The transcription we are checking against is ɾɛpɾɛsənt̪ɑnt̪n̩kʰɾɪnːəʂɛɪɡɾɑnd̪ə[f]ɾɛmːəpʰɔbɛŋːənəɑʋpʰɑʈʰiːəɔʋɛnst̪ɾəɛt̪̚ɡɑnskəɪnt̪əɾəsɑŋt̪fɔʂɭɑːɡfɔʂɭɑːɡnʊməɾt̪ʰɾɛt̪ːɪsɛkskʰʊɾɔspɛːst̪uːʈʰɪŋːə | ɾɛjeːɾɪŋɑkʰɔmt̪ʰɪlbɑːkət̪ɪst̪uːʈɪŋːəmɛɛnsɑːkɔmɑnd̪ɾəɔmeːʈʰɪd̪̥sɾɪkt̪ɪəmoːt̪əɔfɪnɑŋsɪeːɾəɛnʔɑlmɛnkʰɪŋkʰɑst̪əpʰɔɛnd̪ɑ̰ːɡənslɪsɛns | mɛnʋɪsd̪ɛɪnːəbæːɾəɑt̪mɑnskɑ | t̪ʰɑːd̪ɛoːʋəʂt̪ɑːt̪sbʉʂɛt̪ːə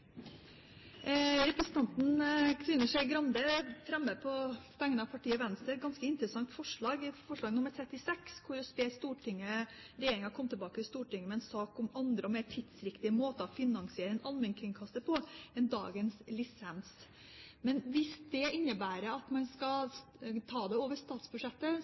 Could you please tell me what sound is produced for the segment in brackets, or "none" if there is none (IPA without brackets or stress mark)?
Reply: f